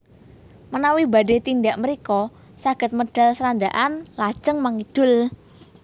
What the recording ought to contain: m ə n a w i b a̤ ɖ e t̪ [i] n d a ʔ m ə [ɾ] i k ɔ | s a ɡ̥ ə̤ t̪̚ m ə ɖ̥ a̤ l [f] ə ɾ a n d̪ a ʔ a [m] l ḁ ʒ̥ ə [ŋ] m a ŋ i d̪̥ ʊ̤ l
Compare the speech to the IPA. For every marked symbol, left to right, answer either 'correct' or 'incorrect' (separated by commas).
correct, correct, incorrect, incorrect, correct